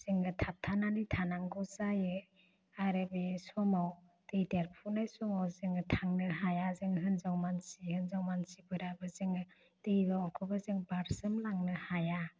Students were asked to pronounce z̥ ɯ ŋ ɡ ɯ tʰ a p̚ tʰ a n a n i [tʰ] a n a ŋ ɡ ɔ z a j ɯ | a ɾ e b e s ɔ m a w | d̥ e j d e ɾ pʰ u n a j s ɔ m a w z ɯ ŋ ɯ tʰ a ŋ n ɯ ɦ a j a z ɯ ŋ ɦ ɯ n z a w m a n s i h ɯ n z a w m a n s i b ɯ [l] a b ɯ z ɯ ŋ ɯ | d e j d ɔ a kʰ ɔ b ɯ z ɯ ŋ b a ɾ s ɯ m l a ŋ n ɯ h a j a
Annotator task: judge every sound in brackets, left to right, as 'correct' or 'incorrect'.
correct, incorrect

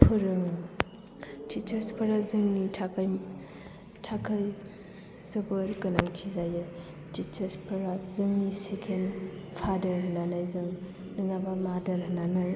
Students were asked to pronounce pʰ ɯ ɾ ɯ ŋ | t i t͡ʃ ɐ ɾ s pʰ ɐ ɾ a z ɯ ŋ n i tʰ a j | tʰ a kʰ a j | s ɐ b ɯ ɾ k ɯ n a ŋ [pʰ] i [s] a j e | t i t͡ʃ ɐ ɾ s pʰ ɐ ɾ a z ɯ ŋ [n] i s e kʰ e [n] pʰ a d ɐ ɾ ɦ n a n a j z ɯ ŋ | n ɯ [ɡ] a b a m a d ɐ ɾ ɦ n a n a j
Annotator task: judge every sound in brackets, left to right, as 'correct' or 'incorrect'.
incorrect, incorrect, correct, correct, incorrect

